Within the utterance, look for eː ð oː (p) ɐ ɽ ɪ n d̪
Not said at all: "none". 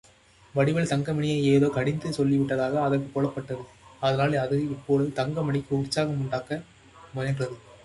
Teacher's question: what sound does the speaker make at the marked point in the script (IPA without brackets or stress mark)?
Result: k